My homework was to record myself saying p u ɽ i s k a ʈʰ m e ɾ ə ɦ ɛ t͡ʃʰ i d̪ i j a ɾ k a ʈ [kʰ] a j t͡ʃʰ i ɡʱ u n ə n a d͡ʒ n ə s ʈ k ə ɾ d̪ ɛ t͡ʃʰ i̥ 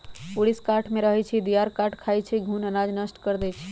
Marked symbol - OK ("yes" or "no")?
yes